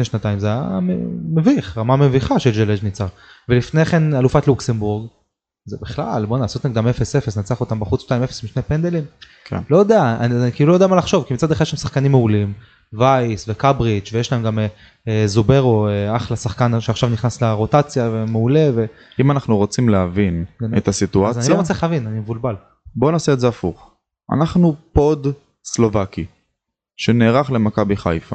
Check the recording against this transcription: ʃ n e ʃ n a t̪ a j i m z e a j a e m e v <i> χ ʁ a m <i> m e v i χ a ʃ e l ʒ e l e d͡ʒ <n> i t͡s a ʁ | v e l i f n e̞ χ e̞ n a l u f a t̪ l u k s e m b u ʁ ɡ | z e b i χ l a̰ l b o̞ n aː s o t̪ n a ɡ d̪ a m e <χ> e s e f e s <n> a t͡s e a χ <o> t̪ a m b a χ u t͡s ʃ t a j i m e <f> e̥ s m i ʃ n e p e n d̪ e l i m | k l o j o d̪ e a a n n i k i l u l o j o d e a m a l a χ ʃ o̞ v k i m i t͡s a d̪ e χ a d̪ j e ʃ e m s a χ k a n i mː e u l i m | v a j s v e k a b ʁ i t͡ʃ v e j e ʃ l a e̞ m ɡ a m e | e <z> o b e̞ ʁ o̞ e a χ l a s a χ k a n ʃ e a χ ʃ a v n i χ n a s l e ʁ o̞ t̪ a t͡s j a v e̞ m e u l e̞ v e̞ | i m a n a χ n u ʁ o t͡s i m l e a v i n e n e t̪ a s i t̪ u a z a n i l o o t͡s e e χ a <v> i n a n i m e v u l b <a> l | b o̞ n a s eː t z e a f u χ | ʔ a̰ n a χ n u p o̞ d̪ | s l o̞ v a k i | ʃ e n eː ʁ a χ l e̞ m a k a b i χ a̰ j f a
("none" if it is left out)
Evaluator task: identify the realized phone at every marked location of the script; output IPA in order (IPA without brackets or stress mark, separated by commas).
i, a, n, f, n, o, f, z, v, a